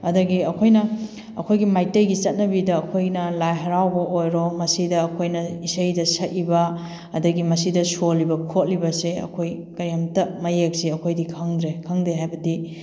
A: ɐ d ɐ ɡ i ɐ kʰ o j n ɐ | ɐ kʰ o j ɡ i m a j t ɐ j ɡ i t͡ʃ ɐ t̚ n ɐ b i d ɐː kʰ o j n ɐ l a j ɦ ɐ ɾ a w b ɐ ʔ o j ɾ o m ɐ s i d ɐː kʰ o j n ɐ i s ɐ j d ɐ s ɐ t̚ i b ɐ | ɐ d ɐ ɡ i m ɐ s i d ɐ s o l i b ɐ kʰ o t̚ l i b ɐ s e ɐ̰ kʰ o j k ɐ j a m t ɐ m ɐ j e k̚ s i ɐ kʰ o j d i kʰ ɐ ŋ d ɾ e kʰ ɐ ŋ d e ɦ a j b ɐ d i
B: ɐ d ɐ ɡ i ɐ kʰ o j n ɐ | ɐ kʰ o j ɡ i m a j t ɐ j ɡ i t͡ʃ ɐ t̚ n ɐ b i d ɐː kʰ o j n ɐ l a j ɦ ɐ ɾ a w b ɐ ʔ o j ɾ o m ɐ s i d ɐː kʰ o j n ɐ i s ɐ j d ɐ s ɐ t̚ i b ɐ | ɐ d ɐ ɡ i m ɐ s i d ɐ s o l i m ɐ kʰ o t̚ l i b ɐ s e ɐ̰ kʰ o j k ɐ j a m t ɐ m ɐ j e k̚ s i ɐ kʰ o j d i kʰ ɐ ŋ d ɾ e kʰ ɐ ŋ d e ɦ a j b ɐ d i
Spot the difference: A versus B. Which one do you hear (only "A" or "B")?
A